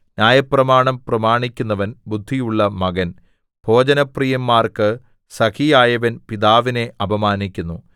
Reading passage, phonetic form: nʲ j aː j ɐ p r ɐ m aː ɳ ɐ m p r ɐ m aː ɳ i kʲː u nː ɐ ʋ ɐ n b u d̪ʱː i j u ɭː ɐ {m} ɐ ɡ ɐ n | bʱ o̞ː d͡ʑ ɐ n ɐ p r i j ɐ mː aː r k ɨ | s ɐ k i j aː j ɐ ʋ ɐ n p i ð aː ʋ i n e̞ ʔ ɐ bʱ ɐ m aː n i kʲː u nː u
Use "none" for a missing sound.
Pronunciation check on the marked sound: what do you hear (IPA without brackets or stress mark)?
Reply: m